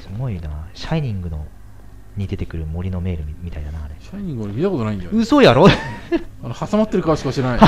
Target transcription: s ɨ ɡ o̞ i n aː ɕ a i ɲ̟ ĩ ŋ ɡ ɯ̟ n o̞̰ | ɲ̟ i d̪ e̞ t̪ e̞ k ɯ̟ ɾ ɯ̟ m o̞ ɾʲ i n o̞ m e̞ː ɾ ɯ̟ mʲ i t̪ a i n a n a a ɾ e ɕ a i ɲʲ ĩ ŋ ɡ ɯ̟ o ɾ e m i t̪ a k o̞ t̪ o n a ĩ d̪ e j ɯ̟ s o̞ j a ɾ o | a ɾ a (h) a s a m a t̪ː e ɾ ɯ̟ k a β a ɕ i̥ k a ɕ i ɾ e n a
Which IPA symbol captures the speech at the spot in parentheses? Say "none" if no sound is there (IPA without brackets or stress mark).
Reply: h